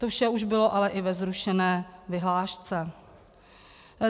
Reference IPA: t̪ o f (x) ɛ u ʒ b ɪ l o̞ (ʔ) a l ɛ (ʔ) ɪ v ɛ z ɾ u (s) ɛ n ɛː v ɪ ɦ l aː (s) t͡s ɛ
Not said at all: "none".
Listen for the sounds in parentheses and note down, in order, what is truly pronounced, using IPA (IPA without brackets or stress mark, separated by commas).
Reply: ʃ, ʔ, ʔ, ʃ, ʃ